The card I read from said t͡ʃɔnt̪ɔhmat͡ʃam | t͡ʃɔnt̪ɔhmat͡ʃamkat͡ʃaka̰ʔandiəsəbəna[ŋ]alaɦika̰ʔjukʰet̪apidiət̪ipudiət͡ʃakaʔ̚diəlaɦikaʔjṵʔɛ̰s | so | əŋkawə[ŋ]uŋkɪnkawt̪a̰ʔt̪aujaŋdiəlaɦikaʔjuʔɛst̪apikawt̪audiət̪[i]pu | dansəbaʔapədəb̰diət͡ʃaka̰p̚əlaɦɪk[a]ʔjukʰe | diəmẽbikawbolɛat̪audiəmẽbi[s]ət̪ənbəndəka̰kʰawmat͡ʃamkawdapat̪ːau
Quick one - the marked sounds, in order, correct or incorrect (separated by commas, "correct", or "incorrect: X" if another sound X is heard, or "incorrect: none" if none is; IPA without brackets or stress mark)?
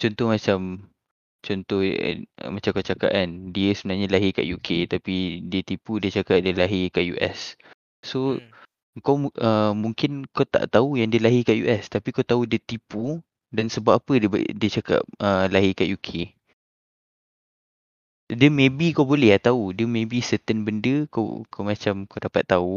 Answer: incorrect: ɲ, incorrect: m, correct, correct, correct